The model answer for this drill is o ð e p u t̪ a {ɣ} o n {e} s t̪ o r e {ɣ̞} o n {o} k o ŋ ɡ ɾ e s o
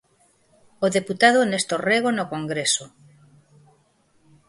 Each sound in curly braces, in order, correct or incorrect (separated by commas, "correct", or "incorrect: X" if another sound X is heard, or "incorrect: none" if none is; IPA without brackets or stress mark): incorrect: ð, correct, correct, correct